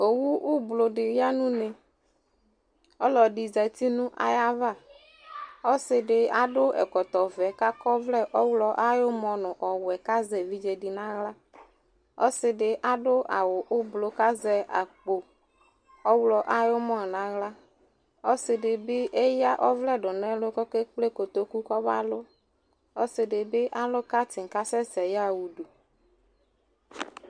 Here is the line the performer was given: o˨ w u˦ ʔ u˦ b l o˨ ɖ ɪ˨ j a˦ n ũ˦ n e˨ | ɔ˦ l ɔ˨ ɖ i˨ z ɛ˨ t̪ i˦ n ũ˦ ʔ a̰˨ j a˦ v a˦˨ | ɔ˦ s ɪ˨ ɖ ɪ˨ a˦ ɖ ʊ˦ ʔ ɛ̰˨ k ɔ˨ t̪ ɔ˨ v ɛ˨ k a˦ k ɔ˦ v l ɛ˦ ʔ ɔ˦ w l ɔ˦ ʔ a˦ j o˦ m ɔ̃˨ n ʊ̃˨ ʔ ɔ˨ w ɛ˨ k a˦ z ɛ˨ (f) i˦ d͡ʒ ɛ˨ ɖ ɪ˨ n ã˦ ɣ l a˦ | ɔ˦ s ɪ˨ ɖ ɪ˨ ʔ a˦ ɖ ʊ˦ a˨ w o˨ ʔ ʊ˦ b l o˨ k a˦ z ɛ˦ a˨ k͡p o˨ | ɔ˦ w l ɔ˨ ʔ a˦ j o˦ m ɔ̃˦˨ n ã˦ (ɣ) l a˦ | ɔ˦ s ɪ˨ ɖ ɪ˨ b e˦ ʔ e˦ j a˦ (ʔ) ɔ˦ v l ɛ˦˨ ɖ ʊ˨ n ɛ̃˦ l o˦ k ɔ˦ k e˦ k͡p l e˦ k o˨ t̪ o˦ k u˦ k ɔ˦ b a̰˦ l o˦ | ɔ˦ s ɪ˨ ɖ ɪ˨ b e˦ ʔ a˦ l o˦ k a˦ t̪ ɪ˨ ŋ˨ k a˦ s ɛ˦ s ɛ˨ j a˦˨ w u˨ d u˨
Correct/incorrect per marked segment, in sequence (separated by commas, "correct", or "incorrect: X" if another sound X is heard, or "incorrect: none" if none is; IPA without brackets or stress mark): incorrect: v, correct, correct